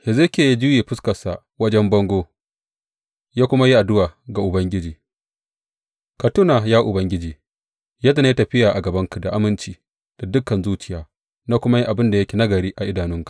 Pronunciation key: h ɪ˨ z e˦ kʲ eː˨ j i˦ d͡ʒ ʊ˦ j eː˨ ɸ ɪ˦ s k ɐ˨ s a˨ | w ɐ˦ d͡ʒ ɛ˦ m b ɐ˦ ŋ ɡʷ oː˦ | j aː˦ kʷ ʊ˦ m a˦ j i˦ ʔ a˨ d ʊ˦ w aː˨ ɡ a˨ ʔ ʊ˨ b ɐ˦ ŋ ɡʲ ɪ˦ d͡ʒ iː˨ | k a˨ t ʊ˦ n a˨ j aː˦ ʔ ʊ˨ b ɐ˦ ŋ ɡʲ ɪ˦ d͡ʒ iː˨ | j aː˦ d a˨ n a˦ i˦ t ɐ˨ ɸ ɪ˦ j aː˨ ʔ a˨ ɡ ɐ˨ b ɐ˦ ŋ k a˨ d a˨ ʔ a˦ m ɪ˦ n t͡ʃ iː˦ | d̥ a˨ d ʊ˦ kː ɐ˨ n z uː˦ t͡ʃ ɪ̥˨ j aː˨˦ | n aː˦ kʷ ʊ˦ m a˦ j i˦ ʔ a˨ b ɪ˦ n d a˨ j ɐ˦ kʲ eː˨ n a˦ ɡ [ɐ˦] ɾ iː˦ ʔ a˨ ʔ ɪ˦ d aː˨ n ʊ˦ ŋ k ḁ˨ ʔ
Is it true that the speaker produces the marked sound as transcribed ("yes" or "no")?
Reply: no